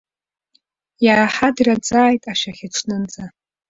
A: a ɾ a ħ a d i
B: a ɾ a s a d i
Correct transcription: A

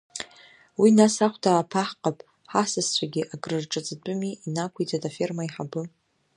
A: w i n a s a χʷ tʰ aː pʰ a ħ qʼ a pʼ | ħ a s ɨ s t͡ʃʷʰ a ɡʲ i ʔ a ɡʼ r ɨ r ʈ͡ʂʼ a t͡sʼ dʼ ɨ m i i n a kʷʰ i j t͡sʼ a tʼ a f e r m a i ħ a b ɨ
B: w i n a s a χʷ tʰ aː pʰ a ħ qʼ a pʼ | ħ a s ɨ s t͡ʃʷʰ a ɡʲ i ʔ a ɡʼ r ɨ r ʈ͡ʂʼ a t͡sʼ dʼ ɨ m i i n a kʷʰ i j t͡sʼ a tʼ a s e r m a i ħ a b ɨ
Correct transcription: A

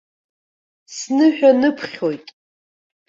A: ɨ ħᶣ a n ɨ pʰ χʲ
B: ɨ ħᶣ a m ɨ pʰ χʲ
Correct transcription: A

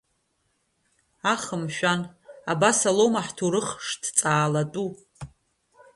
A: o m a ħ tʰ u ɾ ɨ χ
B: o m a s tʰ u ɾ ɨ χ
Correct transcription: A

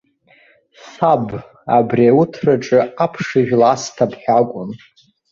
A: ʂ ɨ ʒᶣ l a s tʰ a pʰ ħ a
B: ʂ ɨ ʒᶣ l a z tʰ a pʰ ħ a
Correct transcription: A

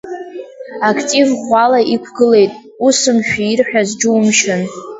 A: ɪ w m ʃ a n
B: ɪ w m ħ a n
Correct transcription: A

